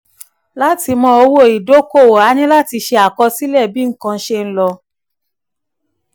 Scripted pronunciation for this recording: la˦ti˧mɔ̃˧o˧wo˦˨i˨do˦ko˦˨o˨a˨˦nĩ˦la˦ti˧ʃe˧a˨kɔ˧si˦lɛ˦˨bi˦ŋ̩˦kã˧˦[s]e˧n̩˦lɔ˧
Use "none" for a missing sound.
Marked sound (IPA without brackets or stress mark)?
ʃ